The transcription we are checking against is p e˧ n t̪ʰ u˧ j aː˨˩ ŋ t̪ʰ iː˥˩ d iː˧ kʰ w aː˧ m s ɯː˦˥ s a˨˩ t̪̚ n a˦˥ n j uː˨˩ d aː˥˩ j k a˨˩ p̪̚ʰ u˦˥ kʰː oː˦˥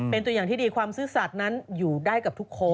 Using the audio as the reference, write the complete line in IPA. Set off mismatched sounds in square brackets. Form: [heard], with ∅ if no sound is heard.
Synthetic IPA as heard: p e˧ n [t̪] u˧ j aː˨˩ ŋ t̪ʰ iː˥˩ d iː˧ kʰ w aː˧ m s ɯː˦˥ s a˨˩ t̪̚ n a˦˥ n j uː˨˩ d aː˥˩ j k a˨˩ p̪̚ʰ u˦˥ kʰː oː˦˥